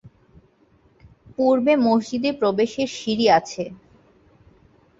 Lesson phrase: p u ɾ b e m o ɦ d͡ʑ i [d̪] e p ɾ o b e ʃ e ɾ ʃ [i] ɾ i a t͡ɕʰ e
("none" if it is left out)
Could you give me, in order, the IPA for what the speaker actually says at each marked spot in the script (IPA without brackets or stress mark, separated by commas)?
d̪, i